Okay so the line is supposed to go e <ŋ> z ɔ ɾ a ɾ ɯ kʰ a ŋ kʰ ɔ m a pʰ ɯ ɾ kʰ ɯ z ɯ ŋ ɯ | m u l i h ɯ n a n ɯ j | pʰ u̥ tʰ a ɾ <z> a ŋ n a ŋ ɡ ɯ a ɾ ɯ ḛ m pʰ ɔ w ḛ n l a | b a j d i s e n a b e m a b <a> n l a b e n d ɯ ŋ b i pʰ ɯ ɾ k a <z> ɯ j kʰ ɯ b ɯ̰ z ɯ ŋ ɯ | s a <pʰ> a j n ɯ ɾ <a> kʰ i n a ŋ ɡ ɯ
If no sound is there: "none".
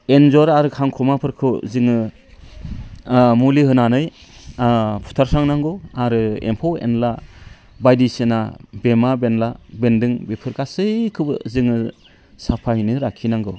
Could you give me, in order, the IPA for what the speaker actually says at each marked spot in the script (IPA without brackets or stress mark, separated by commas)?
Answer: n, s, e, s, pʰ, a